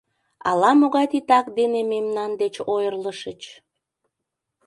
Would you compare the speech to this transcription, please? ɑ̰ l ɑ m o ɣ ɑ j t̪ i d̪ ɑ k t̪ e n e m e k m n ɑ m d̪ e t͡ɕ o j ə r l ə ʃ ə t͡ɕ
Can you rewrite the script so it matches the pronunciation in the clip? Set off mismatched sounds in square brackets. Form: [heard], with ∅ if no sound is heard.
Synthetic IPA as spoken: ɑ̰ l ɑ m o ɣ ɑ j t̪ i [t̪] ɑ k [d̪] e n e m e [∅] m n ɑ [n] d̪ e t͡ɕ o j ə r l ə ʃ ə t͡ɕ